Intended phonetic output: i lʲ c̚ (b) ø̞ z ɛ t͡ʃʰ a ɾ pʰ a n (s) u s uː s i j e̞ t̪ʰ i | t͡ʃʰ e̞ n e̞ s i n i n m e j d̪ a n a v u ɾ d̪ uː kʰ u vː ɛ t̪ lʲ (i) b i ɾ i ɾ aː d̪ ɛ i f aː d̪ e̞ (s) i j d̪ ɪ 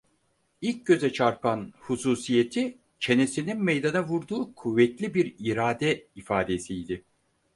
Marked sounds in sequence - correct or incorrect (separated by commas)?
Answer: incorrect, incorrect, correct, correct